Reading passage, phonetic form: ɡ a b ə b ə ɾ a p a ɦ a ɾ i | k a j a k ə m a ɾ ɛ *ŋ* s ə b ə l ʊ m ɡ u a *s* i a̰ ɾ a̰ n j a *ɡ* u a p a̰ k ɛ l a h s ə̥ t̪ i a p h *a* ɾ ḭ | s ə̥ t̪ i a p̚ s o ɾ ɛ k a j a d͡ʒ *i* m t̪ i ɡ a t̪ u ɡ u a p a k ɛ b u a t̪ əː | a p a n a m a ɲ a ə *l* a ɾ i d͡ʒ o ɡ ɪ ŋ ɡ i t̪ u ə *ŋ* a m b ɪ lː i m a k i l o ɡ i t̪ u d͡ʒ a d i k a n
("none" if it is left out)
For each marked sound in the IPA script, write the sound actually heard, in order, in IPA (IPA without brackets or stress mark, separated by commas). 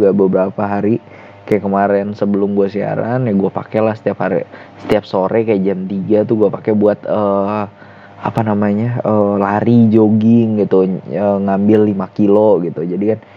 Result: n, s, ɡ, a, a, l, ŋ